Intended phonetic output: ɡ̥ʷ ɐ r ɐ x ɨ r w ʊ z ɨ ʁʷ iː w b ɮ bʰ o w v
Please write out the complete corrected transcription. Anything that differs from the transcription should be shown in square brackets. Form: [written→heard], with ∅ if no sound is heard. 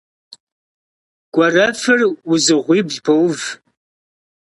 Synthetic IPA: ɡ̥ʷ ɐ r ɐ [x→f] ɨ r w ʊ z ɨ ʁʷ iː [w→∅] b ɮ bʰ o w v